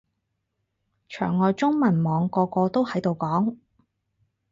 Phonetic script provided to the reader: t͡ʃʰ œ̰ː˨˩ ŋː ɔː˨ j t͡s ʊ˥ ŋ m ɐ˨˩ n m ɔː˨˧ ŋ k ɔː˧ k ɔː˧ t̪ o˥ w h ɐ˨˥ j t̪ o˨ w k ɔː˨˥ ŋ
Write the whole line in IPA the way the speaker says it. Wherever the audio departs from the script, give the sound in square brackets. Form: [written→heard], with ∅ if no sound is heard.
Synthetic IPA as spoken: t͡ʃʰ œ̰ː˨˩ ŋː ɔː˨ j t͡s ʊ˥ ŋ m ɐ˨˩ n m ɔː˨˧ ŋ k ɔː˧ k ɔː˧ t̪ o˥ w h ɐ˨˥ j t̪ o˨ w k ɔː˨˥ ŋ